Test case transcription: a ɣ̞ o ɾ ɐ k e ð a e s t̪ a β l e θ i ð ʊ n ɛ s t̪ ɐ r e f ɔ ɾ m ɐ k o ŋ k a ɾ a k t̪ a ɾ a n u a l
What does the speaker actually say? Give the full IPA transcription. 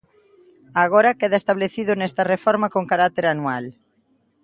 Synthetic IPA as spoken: a ɣ̞ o ɾ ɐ k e ð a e s t̪ a β l e θ i ð ʊ n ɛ s t̪ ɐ r e f ɔ ɾ m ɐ k o ŋ k a ɾ a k t̪ e ɾ a n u a l

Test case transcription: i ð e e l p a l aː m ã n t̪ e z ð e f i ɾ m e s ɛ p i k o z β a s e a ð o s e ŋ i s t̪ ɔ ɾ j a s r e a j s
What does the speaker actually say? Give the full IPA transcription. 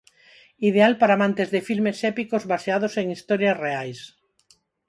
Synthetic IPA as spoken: i ð e a l p a ɾ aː m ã n t̪ e z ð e f i l m e s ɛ p i k o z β a s e a ð o s e ŋ i s t̪ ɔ ɾ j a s r e a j s

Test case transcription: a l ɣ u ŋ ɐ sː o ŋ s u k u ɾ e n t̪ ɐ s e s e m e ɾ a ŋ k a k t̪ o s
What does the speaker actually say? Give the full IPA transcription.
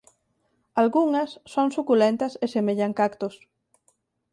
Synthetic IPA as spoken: a l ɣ u ŋ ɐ sː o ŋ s u k u l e n t̪ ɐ s e s e m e ʎ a ŋ k a k t̪ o s

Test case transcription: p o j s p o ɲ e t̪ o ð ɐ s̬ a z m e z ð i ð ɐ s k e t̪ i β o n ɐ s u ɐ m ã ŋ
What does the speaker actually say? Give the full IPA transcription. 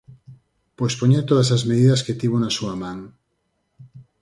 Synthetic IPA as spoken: p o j s p o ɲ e t̪ o ð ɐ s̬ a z m e ð i ð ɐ s k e t̪ i β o n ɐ s u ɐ m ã ŋ

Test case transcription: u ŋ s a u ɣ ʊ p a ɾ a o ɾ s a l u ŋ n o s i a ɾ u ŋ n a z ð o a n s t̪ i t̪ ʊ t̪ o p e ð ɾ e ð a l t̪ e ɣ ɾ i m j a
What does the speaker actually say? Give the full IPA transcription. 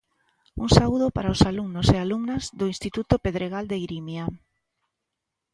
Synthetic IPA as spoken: u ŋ s a u ð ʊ p a ɾ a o s a l u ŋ n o s e a l u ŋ n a z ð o i n s t̪ i t̪ u t̪ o p e ð ɾ e ɣ a l d̪ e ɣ ɾ i m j a

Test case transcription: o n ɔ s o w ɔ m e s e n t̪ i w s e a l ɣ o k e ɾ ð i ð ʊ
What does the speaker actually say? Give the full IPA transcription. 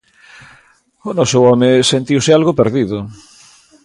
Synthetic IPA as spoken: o n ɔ s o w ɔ m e s e n t̪ i w s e a l ɣ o p e ɾ ð i ð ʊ

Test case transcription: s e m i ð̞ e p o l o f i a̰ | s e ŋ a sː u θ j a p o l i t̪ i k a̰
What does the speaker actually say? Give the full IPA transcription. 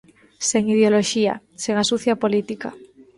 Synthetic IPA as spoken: s e ŋ i ð̞ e o l o ʃ i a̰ | s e ŋ a s u θ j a p o l i t̪ i k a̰

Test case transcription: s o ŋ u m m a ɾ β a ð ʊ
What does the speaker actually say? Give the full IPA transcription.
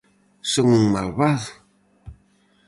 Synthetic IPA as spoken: s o ŋ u ŋ m a l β a ð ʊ

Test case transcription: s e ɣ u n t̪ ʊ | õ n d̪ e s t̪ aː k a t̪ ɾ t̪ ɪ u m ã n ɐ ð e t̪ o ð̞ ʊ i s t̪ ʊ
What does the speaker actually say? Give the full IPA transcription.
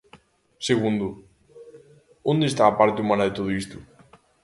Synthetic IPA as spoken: s e ɣ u n d̪ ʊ | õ n d̪ e s t̪ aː p a ɾ t̪ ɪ u m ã n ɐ ð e t̪ o ð̞ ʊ i s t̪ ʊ

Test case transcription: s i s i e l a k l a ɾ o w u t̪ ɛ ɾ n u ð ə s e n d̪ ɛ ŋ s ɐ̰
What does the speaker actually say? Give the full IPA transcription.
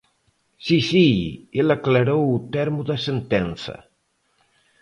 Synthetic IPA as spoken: s i s i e l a k l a ɾ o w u t̪ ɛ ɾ m u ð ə s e n t̪ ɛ n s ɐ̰

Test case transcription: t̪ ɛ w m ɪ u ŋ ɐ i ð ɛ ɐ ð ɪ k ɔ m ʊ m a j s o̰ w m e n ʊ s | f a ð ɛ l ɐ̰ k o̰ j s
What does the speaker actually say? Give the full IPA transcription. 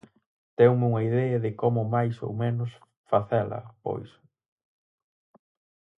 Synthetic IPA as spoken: t̪ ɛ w m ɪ u ŋ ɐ i ð ɛ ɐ ð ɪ k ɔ m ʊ m a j s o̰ w m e n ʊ s | f a θ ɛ l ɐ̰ p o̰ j s

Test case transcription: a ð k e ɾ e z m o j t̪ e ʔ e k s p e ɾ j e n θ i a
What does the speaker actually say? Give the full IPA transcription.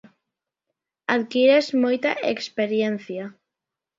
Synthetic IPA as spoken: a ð k i ɾ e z m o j t̪ a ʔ e k s p e ɾ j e n θ j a

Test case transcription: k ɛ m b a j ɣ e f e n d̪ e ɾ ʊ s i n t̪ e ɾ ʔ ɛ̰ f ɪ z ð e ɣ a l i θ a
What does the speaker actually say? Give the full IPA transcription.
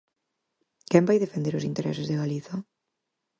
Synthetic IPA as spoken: k ɛ m b a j ð e f e n d̪ e ɾ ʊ s i n t̪ e ɾ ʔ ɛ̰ s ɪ z ð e ɣ a l i θ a

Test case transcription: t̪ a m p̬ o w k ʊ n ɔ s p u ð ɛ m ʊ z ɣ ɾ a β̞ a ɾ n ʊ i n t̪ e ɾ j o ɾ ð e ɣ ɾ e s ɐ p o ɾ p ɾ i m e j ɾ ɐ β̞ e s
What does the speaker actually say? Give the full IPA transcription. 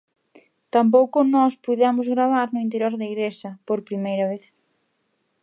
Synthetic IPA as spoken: t̪ a m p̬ o w k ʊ n ɔ s p u ð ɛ m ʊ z ɣ ɾ a β̞ a ɾ n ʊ i n t̪ e ɾ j o ɾ ð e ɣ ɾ e s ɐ p o ɾ p ɾ i m e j ɾ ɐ β̞ e θ

